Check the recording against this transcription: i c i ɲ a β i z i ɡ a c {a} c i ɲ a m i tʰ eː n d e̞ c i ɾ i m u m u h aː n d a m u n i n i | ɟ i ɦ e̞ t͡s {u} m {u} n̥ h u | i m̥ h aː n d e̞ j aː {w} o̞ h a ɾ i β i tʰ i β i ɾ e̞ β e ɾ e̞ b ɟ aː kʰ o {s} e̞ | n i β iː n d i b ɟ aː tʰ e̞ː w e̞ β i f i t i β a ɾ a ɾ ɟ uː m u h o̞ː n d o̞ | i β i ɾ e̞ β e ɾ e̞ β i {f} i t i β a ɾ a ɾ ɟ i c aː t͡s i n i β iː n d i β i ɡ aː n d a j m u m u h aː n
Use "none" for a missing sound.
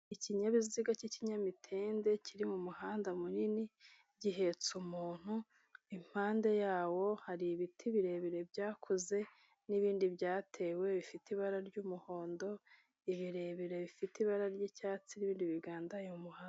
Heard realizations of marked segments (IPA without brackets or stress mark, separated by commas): i, u, uː, w, z, f